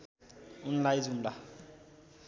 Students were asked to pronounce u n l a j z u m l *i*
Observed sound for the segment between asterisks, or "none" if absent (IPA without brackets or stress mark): a